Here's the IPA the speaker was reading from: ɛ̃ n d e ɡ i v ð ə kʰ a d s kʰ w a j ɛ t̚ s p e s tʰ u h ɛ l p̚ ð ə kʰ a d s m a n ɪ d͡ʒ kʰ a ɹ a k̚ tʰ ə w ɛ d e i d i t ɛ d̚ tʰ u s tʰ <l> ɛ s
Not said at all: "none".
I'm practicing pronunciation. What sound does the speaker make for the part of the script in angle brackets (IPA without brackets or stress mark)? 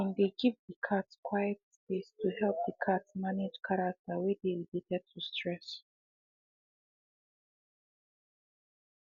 ɹ